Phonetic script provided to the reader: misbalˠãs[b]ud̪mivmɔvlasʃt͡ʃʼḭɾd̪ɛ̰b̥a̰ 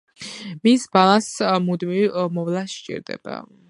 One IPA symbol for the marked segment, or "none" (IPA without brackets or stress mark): m